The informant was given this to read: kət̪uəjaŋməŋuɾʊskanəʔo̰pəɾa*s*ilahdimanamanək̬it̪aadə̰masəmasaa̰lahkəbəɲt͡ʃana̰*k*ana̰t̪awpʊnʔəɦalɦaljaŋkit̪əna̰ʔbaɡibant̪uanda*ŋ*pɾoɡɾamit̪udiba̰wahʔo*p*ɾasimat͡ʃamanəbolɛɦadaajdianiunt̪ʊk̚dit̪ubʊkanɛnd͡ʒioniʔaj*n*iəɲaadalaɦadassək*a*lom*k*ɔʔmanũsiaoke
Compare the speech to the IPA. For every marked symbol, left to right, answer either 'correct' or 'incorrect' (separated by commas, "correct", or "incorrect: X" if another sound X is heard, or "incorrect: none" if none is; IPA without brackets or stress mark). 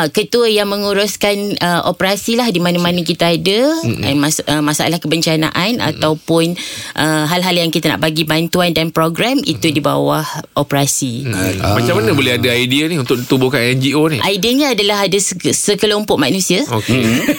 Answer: correct, incorrect: ʔ, incorrect: n, correct, incorrect: d, incorrect: ə, incorrect: p